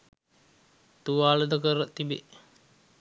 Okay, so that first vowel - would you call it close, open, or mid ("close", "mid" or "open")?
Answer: close